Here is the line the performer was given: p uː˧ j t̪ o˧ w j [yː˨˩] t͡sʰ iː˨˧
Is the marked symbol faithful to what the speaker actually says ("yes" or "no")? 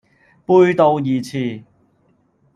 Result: no